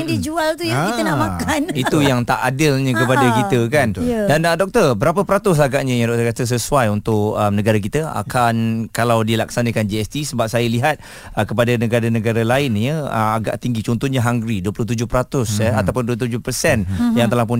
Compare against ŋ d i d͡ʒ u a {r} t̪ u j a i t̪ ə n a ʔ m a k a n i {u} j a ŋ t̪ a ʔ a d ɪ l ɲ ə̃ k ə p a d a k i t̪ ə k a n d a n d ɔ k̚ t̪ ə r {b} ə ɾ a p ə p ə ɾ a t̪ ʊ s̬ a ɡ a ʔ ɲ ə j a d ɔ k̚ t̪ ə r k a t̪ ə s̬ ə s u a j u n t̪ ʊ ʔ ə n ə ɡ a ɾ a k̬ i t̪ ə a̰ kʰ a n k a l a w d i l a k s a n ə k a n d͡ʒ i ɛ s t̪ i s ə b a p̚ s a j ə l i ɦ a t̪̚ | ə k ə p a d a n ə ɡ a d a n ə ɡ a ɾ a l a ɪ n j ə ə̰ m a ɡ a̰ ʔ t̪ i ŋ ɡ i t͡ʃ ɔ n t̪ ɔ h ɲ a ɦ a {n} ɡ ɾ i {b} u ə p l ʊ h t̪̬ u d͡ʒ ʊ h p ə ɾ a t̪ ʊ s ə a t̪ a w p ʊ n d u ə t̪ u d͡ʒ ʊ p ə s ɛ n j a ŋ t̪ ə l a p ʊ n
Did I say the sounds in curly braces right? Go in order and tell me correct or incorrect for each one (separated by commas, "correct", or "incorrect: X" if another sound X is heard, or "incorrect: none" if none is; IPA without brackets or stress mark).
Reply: incorrect: l, correct, correct, incorrect: ŋ, incorrect: d